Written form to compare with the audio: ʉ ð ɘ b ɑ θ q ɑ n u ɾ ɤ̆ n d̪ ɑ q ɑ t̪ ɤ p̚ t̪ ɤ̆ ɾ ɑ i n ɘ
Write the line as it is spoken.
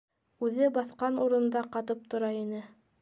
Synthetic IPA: ʉ ð ɘ b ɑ θ q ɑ n u ɾ ɤ̆ n d̪ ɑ q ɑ t̪ ɤ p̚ t̪ ŏ ɾ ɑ i n ɘ